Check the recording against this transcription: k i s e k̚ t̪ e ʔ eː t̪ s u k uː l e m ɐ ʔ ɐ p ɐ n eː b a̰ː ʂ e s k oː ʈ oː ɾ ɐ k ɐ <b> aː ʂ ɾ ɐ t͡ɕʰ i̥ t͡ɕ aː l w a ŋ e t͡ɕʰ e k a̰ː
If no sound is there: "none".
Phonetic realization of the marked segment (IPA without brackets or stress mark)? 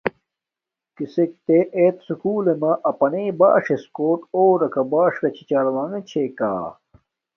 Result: b